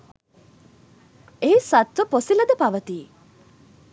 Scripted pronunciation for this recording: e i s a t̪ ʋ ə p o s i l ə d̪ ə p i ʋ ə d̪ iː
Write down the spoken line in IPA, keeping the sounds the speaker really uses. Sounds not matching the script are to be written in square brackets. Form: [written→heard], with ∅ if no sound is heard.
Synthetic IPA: e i s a t̪ ʋ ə p o s i l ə d̪ ə p [i→a] ʋ ə [d̪→t̪] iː